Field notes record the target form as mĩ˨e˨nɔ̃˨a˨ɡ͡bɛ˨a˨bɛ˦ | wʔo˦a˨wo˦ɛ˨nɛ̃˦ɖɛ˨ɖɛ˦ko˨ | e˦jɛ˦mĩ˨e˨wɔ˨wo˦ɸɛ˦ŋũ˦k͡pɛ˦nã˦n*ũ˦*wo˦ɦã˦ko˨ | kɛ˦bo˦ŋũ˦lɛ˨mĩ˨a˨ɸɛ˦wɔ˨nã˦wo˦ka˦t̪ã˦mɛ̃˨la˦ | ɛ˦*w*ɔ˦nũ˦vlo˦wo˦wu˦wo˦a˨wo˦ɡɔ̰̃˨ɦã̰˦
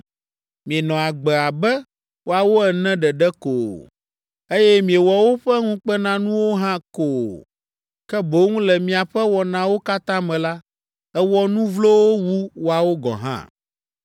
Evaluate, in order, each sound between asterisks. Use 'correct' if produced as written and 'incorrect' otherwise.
correct, correct

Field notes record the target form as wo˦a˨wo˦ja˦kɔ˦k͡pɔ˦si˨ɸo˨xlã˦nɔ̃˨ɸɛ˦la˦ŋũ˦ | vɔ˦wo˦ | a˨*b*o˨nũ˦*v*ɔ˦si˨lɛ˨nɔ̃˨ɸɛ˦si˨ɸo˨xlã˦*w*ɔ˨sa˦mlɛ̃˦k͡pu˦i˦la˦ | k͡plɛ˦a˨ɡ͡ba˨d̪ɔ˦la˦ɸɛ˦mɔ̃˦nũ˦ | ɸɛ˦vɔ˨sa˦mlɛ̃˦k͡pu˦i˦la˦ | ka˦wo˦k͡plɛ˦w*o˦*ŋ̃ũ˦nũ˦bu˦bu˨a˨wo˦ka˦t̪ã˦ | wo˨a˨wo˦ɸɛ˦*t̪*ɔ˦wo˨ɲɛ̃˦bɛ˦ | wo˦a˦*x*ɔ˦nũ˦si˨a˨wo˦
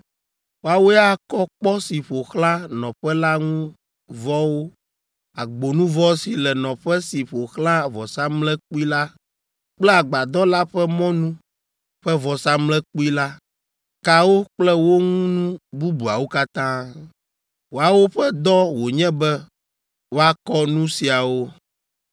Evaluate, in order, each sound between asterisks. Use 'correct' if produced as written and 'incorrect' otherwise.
incorrect: ɡ͡b, correct, incorrect: v, correct, incorrect: d̪, incorrect: k

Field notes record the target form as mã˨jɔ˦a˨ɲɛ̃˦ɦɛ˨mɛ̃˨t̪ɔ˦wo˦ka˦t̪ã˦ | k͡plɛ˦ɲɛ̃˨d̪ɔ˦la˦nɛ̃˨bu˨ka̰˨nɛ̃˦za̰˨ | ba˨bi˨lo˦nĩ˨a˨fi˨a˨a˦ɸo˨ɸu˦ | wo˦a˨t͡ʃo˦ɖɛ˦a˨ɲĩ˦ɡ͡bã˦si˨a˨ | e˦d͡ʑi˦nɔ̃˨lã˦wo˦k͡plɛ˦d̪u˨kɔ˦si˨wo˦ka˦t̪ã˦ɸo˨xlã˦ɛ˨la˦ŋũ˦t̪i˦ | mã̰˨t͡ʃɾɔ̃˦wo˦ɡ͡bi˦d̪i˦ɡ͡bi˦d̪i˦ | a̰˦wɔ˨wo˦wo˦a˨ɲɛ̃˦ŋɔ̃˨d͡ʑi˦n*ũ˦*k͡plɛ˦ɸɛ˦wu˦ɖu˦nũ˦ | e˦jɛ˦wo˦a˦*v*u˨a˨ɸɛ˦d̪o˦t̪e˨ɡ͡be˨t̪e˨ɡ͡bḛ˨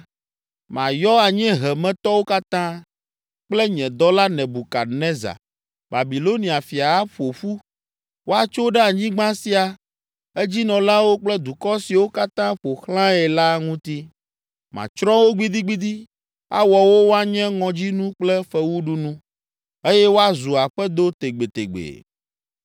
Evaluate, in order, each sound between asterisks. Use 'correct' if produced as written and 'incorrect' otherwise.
correct, incorrect: z

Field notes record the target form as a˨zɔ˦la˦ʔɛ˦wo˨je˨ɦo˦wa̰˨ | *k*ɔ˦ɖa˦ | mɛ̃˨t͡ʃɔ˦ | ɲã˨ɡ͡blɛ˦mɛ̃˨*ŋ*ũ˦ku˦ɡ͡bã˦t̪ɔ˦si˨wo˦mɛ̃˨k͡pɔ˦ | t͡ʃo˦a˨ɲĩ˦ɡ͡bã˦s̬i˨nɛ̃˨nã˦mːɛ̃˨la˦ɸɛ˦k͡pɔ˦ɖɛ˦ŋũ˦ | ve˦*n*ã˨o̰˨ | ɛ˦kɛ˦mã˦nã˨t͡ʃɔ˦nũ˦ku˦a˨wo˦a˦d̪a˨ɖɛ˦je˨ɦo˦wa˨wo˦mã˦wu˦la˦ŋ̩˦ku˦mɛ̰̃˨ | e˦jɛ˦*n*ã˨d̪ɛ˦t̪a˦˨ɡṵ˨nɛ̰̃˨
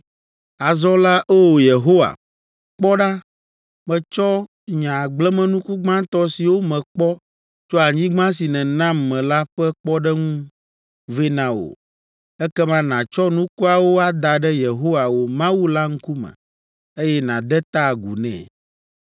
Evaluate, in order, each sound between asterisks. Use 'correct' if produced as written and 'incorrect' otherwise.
incorrect: k͡p, incorrect: n, correct, correct

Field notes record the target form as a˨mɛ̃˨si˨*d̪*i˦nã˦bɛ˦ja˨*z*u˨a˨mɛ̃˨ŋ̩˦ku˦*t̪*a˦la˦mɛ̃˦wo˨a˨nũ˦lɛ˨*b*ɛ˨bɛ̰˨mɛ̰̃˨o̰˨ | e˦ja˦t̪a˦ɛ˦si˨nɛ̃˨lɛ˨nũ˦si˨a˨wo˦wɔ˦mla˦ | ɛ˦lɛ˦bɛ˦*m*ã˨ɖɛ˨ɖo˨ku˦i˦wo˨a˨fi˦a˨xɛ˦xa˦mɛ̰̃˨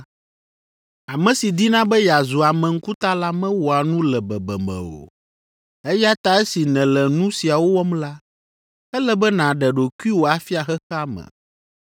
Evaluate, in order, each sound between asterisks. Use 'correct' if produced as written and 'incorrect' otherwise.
correct, correct, correct, correct, incorrect: n

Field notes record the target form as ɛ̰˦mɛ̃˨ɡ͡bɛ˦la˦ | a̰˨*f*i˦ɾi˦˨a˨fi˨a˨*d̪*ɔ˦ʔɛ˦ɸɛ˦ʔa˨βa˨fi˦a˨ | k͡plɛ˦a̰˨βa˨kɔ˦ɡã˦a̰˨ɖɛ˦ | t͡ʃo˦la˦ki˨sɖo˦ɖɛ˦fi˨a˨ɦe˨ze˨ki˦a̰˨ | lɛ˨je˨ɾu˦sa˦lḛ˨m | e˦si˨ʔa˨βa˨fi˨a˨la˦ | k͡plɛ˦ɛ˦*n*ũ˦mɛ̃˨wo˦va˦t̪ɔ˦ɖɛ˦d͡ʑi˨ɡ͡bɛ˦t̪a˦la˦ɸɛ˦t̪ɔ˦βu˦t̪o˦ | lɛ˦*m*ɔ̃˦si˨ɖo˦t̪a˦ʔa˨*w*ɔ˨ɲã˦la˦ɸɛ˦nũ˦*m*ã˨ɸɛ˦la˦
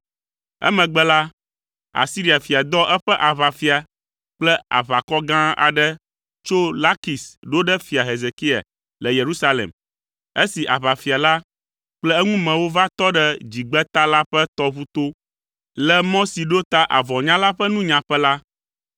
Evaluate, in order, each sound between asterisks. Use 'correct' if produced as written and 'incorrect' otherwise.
incorrect: s, correct, incorrect: ŋ, correct, incorrect: v, incorrect: ɲ

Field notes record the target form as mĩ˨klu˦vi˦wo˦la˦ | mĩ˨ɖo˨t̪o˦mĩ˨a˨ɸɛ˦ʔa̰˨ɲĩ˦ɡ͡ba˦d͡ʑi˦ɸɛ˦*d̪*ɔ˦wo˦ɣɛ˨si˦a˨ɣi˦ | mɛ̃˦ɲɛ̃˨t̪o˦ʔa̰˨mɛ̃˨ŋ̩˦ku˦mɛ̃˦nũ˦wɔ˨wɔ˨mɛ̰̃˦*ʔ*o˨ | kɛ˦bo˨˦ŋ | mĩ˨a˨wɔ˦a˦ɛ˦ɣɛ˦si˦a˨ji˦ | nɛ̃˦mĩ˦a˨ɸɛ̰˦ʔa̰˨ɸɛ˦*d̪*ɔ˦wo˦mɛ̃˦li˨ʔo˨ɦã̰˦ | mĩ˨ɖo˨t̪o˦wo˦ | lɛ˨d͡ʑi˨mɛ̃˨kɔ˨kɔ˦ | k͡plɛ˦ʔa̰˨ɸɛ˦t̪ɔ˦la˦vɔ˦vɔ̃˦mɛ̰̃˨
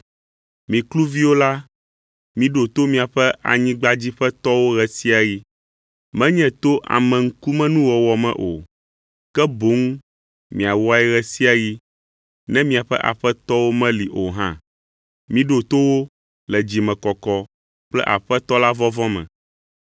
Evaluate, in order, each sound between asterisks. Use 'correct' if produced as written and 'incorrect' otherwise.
incorrect: t̪, correct, incorrect: t̪

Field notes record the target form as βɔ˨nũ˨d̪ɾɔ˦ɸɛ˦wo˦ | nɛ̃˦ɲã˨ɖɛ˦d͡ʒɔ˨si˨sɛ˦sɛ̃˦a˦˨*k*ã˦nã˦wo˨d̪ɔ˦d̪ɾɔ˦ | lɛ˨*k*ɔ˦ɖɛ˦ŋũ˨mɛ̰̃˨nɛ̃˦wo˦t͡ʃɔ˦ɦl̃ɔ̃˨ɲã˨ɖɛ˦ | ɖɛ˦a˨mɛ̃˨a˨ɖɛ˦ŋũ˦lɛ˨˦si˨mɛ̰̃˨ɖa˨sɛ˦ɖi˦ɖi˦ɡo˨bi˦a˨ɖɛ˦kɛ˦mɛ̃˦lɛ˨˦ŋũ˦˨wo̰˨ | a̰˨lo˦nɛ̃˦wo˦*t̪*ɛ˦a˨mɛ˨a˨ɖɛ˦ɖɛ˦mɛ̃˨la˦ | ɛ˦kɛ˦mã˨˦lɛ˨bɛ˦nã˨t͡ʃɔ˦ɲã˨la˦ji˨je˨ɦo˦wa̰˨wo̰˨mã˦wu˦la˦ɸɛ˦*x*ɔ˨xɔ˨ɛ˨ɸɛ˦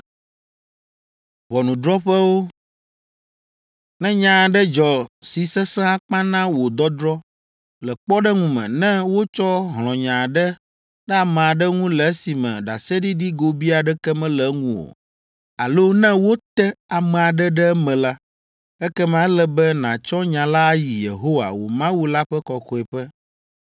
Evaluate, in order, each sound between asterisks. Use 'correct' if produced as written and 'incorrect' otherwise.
incorrect: k͡p, incorrect: k͡p, correct, incorrect: k

